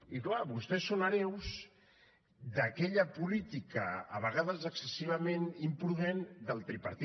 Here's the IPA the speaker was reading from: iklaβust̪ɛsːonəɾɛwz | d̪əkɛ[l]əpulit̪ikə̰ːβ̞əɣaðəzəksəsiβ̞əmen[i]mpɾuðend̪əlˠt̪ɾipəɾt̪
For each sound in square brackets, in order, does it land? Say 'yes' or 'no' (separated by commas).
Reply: no, yes